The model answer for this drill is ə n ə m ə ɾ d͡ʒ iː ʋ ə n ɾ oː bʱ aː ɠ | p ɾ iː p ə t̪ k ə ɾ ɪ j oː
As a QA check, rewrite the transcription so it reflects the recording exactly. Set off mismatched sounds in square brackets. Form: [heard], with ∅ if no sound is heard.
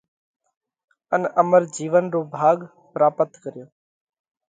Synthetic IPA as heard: ə n ə m ə ɾ d͡ʒ iː ʋ ə n ɾ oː bʱ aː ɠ | p ɾ [aː] p ə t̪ k ə ɾ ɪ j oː